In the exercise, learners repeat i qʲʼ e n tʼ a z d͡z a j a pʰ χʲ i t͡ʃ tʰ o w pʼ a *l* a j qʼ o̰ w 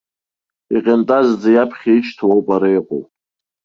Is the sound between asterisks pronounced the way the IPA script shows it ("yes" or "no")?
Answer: no